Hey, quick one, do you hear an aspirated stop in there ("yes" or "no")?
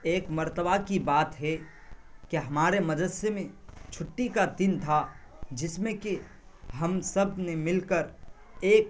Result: yes